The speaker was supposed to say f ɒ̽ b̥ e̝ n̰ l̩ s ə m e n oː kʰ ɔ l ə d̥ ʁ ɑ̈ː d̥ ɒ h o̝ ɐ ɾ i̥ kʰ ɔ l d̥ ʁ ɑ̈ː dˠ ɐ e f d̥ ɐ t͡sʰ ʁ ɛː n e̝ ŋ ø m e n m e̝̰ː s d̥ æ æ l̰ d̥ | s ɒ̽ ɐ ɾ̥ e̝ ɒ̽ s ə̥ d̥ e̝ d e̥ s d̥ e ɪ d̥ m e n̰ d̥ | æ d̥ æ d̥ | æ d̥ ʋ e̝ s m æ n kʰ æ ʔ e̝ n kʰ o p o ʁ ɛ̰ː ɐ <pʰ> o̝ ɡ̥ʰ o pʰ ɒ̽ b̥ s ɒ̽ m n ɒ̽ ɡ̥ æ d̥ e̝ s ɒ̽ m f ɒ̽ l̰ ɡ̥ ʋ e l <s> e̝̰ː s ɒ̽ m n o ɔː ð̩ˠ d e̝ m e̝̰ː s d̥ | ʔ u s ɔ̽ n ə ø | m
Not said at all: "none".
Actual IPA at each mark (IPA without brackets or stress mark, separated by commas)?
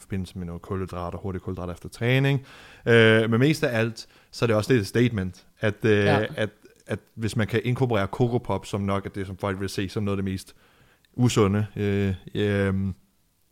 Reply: kʰ, s